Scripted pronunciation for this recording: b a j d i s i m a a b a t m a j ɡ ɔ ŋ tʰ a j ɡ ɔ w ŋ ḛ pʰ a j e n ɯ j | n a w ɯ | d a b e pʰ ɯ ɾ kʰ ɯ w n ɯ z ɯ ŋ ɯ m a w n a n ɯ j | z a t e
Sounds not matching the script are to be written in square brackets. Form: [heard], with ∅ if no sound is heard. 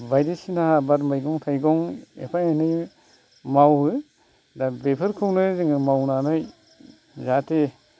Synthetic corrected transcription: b a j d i s i [n] a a b a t m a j ɡ ɔ ŋ tʰ a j ɡ ɔ [∅] ŋ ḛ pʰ a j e n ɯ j | [m] a w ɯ | d a b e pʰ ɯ ɾ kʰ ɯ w n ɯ z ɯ ŋ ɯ m a w n a n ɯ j | z a t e